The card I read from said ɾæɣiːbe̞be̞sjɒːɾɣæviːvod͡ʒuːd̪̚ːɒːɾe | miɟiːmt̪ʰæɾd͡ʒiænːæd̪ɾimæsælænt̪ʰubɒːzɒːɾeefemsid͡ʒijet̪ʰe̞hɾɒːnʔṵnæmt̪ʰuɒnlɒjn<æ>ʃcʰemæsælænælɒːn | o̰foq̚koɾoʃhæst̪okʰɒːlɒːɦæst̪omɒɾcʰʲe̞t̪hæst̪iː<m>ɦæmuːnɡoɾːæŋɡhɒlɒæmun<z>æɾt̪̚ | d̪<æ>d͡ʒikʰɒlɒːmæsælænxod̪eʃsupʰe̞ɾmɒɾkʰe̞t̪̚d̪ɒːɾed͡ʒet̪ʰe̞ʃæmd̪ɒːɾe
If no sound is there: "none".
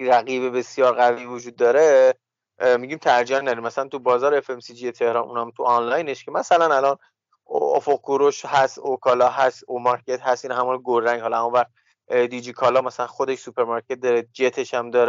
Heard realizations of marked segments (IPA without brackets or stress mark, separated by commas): e, n, v, i